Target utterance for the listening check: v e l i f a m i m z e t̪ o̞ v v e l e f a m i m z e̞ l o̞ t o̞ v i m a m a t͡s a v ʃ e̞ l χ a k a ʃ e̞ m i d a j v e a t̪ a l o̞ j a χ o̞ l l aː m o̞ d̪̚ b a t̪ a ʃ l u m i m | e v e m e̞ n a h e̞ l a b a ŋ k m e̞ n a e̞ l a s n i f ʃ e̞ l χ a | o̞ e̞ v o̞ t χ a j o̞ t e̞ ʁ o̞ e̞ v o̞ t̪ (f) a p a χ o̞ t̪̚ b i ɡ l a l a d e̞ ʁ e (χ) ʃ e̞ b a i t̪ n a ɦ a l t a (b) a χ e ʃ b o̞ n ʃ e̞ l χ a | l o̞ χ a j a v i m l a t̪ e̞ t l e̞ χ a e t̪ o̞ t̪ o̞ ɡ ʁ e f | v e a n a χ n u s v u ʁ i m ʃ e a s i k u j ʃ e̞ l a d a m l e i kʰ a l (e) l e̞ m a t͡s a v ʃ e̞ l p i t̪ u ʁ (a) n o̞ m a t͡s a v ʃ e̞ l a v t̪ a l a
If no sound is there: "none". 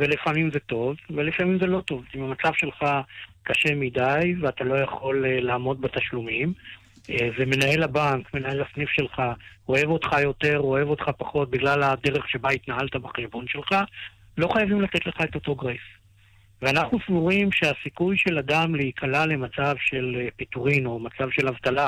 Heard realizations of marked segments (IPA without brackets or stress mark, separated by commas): χ, χ, b, a, i